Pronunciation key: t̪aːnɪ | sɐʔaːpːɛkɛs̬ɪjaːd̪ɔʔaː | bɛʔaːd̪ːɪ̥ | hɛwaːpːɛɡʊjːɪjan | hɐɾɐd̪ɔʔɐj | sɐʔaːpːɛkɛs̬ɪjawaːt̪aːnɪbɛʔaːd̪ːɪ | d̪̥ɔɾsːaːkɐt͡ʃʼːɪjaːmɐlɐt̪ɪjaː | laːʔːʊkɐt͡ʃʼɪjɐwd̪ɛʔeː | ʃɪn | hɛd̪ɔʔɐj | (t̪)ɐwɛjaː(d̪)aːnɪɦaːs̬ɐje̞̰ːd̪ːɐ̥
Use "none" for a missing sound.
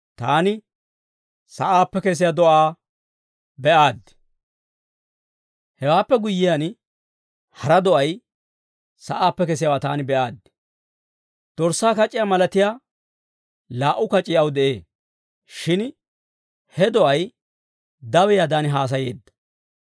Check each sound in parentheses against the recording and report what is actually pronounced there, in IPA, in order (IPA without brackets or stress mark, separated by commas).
d̪, d̪